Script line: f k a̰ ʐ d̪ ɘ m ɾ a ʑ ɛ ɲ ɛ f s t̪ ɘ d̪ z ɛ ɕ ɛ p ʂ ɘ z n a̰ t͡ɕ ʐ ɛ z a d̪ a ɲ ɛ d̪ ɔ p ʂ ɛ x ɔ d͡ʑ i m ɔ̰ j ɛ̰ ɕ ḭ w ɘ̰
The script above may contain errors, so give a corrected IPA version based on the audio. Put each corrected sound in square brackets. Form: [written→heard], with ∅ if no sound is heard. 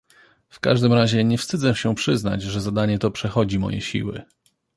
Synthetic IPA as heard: f k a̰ ʐ d̪ ɘ m ɾ a ʑ ɛ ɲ ɛ f s t̪ ɘ d̪ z ɛ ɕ ɛ p ʂ ɘ z n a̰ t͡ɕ ʐ ɛ z a d̪ a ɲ ɛ [d̪→t̪] ɔ p ʂ ɛ x ɔ d͡ʑ i m ɔ̰ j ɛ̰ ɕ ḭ w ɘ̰